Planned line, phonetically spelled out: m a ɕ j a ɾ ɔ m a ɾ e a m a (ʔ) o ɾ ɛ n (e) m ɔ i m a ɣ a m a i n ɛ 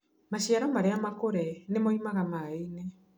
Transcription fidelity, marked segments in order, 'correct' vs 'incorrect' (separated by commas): incorrect, correct